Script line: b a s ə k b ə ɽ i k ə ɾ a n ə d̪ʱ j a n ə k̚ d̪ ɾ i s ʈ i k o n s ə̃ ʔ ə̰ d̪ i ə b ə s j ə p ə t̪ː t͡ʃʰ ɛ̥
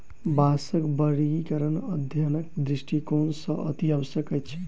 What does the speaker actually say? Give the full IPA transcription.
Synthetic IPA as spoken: b a s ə k b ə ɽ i k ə ɾ ə n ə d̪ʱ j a n ə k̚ d̪ ɾ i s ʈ i k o n s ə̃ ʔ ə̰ t̪ i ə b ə s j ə k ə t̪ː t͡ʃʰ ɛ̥

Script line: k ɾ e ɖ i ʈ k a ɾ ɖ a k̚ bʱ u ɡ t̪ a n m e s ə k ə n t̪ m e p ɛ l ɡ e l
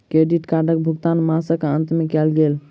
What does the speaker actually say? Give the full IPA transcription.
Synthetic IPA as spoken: k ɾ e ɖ i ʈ k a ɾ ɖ ə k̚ bʱ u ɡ t̪ a n m a s ə k ə n t̪ m e k ɛ l ɡ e l

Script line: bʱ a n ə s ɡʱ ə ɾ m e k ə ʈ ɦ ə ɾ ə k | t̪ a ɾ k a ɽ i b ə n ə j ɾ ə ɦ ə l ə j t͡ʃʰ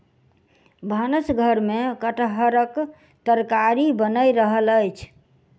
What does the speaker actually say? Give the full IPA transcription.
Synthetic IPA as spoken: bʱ a n ə s ɡʱ ə ɾ m e k ə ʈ ɦ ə ɾ ə k | t̪ ə ɾ k a ɾ i b ə n ə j ɾ ə ɦ ə l ə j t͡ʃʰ

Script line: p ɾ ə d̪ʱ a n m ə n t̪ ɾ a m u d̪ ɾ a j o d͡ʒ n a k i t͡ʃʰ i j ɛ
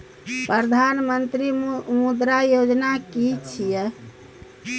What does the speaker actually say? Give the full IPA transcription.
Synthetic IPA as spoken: p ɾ ə d̪ʱ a n m ə n t̪ ɾ i m u d̪ ɾ a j o d͡ʒ n a k i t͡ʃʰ i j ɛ

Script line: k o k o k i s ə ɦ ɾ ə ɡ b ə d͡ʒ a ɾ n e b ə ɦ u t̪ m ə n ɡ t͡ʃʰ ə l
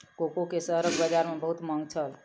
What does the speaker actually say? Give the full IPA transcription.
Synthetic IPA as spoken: k o k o k e s ə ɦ ɾ ə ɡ b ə d͡ʒ a ɾ m e b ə ɦ u t̪ m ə ŋ ɡ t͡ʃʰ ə l

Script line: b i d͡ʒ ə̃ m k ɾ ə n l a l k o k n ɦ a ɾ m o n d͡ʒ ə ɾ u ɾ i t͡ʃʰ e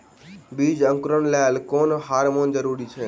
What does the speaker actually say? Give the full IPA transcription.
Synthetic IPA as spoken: b i d͡ʒ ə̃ ŋ k ɾ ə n l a l k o n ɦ a ɾ m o n d͡ʒ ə ɾ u ɾ i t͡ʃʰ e

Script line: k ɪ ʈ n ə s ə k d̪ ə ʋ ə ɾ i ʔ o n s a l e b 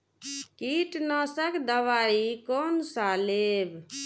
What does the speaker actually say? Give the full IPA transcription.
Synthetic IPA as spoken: k i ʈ n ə s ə k d̪ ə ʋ a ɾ i k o n s a l e b

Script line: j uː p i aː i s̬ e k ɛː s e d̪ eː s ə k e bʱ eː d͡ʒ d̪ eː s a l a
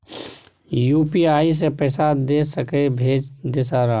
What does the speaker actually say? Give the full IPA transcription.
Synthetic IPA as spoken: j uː p i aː i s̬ e p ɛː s a d̪ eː s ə k e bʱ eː d͡ʒ d̪ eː s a ɾ a

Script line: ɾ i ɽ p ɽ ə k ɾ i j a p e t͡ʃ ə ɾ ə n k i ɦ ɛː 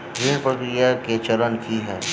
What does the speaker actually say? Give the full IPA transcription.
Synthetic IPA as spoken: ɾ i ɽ p ɾ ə k ɾ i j a k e t͡ʃ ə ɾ ə n k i ɦ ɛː

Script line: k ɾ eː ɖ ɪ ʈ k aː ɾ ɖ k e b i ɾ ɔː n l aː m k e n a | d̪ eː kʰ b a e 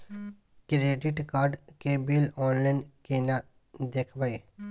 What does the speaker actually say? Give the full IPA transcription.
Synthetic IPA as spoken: k ɾ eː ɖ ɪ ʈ k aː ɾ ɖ k e b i l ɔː n l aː n k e n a | d̪ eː kʰ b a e

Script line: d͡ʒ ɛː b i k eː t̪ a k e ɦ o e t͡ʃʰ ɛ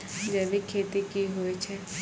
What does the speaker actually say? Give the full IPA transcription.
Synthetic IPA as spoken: d͡ʒ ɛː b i kʰ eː t̪ i k i ɦ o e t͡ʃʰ ɛ

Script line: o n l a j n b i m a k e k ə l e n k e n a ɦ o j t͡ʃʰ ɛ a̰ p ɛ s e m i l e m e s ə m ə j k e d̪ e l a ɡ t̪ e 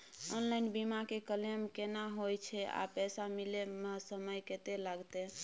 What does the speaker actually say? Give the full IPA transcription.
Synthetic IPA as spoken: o n l a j n b i m a k e k ə l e m k e n a ɦ o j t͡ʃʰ ɛ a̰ p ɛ s a m i l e m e s ə m ə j k e t̪ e l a ɡ t̪ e

